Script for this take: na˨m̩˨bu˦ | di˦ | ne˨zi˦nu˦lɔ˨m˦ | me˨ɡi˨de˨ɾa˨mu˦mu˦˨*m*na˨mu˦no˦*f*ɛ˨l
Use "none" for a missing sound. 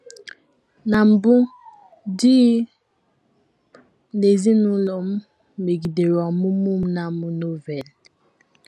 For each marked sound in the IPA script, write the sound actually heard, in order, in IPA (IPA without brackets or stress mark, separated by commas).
m, v